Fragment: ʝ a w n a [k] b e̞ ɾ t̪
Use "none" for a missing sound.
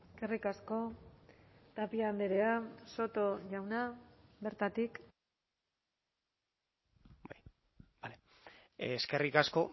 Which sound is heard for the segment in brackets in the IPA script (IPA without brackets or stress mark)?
none